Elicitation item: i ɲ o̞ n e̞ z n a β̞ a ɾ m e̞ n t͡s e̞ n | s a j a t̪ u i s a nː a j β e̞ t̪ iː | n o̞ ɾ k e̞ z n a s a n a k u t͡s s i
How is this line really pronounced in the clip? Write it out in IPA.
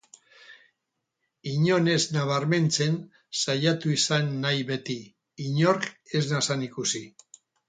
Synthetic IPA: i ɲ o̞ n e̞ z n a β̞ a ɾ m e̞ n t͡s e̞ n | s a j a t̪ u i s a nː a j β e̞ t̪ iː | ɲ o̞ ɾ k e̞ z n a s a n i k u s i